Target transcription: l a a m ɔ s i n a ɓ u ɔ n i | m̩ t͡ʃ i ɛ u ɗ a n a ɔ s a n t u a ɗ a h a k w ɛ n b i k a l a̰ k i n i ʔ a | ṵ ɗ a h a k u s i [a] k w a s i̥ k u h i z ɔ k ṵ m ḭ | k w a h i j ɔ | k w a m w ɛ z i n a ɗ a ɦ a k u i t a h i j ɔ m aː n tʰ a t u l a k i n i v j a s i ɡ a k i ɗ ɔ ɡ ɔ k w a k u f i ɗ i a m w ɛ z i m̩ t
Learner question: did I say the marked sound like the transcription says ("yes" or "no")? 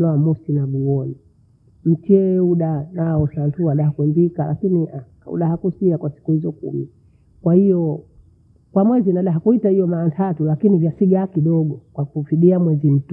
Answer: yes